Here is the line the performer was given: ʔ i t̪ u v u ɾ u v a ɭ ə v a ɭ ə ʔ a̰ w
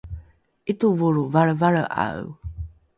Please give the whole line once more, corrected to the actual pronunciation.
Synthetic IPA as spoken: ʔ i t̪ u v u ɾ u v a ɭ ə v a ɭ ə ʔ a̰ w